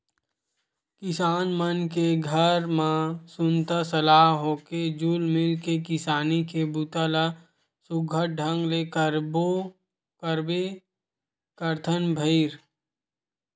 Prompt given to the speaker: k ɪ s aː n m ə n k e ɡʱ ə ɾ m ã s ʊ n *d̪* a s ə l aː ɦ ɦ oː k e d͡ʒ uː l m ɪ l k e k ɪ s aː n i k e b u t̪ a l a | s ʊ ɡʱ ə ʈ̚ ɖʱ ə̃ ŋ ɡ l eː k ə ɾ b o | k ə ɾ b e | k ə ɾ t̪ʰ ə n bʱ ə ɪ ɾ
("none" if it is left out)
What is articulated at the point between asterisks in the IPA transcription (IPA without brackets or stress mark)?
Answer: t̪